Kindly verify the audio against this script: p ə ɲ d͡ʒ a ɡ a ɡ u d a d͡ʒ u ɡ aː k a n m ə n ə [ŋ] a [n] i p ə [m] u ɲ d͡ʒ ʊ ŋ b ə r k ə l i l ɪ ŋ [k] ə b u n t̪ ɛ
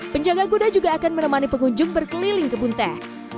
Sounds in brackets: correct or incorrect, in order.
incorrect: m, correct, incorrect: ŋ, correct

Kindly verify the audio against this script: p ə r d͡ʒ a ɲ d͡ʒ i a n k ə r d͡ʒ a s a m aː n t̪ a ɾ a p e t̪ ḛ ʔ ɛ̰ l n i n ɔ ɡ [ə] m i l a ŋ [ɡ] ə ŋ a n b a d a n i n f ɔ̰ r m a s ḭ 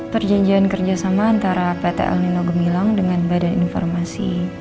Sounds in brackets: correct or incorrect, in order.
correct, incorrect: d

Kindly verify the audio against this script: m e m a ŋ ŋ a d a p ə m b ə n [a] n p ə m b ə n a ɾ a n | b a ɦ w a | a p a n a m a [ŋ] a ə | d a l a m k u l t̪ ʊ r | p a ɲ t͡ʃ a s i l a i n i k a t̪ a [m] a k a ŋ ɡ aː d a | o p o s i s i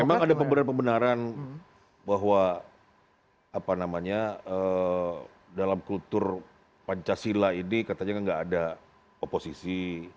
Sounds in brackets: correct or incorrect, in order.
correct, incorrect: ɲ, incorrect: ɲ

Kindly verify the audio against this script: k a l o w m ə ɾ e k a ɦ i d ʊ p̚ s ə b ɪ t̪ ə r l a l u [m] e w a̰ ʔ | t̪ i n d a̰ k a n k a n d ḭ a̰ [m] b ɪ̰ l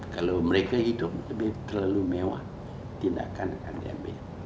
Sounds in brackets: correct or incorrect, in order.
correct, correct

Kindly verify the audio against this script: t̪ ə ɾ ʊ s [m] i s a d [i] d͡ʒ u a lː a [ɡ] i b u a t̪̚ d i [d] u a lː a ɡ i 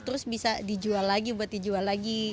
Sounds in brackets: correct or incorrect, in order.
incorrect: b, correct, correct, incorrect: d͡ʒ

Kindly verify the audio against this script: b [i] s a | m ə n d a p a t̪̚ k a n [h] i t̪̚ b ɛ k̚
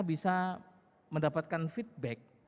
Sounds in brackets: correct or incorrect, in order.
correct, incorrect: f

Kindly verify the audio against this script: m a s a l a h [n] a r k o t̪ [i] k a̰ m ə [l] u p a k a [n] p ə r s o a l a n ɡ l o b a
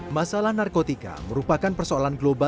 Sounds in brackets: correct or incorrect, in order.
correct, correct, incorrect: ɾ, correct

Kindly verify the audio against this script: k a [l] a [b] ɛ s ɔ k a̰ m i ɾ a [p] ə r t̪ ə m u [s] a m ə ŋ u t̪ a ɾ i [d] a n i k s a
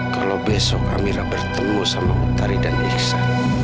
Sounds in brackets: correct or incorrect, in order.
correct, correct, incorrect: b, correct, correct

